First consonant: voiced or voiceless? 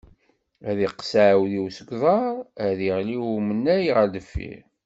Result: voiced